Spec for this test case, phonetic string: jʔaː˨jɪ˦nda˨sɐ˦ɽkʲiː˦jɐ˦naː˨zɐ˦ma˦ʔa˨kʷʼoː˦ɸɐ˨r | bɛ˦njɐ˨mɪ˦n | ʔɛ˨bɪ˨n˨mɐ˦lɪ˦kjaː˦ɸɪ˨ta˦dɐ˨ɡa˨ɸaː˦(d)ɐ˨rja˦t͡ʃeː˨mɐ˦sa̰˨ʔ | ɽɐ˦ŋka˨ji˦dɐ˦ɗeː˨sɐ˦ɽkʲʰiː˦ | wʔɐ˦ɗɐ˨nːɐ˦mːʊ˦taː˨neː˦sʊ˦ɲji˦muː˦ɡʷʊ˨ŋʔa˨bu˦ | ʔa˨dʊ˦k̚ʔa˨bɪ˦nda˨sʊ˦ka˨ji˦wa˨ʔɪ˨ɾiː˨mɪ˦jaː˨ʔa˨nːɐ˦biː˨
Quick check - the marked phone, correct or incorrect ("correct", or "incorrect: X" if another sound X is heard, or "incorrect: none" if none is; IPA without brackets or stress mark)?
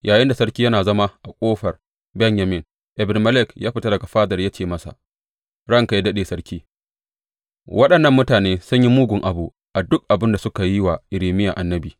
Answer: correct